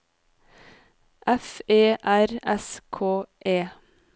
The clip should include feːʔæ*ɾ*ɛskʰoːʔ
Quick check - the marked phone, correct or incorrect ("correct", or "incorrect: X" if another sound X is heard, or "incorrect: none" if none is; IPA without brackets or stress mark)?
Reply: correct